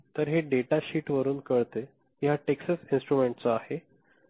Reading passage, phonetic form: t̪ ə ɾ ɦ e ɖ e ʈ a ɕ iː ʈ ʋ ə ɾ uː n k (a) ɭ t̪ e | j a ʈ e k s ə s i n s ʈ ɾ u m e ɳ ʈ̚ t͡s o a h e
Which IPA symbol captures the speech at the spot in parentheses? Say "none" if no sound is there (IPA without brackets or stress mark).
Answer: ə